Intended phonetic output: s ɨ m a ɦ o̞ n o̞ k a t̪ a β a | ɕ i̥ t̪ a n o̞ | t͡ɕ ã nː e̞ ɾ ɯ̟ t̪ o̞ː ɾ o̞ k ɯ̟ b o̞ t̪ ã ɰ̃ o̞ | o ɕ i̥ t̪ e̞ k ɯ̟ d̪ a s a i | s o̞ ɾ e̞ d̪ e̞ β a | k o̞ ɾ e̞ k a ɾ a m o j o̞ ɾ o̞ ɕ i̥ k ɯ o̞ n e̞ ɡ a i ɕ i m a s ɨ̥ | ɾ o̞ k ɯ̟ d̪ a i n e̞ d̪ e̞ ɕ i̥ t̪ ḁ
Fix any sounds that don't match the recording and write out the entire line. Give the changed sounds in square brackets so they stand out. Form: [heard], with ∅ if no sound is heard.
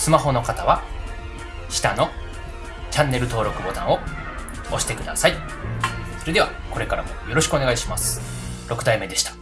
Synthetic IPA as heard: s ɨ m a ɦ o̞ n o̞ k a t̪ a β a | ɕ i̥ t̪ a n o̞ | t͡ɕ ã nː e̞ ɾ ɯ̟ t̪ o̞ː ɾ o̞ k ɯ̟ b o̞ t̪ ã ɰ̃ o̞ | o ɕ i̥ t̪ e̞ k ɯ̟ d̪ a s a i | s o̞ ɾ e̞ d̪ e̞ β a | k o̞ ɾ e̞ k a ɾ a m o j o̞ ɾ o̞ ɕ i̥ k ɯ o̞ n e̞ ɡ a i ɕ i m a s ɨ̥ | ɾ o̞ k ɯ̟ d̪ a i [m] e̞ d̪ e̞ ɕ i̥ t̪ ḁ